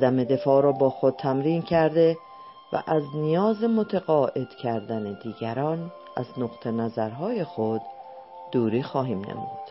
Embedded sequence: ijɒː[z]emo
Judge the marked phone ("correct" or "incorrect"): correct